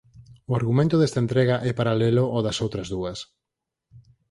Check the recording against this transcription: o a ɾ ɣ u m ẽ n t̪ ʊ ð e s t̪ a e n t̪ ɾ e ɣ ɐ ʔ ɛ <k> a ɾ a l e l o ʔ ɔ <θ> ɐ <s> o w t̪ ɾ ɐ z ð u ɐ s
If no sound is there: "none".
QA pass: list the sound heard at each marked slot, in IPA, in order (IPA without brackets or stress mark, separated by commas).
p, ð, s